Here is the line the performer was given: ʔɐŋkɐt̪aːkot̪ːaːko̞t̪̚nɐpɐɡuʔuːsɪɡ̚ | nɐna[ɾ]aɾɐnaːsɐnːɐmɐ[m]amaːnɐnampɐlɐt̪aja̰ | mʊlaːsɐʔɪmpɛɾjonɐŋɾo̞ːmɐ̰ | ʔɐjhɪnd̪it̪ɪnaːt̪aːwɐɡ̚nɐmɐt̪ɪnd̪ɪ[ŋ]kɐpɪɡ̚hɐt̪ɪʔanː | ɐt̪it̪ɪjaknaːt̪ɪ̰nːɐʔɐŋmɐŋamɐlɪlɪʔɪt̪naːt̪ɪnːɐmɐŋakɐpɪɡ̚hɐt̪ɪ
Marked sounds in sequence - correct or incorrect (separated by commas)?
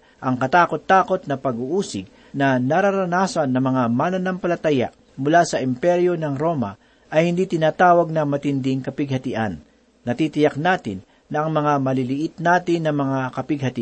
correct, incorrect, correct